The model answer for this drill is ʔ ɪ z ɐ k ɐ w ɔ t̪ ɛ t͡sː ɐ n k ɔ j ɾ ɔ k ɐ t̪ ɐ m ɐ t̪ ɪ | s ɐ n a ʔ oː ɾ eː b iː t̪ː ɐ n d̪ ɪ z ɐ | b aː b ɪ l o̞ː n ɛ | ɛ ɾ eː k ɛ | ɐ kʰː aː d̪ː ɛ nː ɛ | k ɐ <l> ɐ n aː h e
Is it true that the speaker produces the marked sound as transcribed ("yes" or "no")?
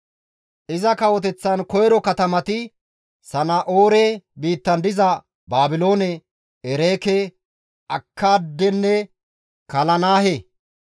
yes